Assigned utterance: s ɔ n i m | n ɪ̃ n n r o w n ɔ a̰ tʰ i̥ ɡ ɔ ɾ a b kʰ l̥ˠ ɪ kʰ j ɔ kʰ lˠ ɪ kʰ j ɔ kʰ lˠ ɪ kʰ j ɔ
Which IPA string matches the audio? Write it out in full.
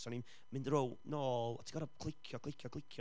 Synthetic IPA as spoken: s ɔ n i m | m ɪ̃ n d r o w n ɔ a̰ tʰ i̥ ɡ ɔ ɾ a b kʰ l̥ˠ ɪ kʰ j ɔ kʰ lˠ ɪ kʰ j ɔ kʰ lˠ ɪ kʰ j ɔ